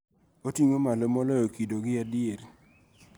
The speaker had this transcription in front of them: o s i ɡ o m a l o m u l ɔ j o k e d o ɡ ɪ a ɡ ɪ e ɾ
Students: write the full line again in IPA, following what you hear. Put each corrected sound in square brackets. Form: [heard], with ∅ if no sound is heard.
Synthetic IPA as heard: o [t] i [ŋ] o m a l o m [ɔ] l ɔ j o k [i] d o ɡ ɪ a [d] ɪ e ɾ